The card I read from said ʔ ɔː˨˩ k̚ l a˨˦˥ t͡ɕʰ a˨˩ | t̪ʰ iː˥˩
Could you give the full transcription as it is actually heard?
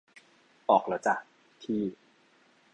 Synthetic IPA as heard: ʔ ɔː˨˩ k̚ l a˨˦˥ t͡ɕ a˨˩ | t̪ʰ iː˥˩